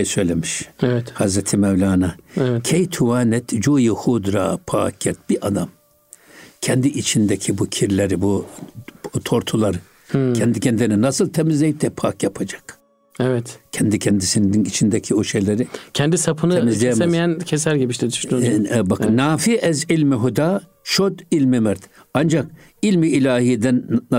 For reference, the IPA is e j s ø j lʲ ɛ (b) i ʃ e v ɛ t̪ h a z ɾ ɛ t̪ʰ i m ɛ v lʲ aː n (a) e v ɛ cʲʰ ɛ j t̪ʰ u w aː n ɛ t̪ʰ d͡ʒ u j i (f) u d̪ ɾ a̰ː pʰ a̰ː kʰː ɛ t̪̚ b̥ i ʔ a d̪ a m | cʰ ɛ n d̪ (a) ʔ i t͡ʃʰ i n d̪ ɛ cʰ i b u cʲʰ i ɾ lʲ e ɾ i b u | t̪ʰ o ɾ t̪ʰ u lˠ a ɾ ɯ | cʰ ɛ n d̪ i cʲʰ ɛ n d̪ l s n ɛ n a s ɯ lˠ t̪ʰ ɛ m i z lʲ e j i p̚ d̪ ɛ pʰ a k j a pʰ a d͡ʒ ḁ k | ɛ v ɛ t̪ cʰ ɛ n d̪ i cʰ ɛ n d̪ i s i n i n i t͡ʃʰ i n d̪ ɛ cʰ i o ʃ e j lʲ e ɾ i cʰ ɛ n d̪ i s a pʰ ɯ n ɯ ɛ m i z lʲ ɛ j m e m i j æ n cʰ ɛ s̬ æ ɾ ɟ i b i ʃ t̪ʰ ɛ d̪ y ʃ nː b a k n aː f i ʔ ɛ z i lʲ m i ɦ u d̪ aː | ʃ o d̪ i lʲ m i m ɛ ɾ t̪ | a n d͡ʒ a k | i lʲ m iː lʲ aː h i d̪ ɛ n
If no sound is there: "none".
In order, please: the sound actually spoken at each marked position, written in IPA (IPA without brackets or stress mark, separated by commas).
m, a, h, i